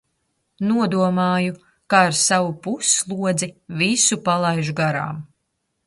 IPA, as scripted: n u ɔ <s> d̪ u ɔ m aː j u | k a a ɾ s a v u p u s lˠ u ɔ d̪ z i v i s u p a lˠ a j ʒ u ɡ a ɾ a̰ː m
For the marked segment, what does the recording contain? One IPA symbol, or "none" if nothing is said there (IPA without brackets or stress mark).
none